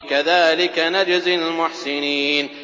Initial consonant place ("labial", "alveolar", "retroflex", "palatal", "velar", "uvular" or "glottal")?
velar